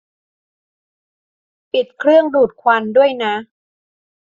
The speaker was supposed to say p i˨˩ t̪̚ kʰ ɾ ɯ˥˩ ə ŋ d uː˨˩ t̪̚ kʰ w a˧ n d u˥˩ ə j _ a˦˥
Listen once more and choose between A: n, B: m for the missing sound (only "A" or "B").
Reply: A